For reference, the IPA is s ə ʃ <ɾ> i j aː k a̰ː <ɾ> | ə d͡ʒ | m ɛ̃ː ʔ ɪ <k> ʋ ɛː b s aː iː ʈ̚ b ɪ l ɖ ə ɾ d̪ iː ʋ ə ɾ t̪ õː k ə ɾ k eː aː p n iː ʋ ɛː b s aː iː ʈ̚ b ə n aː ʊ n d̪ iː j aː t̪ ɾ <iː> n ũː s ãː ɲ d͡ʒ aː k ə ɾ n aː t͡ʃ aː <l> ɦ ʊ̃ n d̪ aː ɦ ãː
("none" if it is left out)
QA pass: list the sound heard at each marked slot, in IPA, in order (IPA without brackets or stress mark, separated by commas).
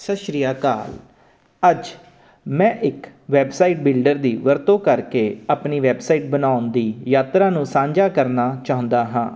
ɾ, l, k, aː, none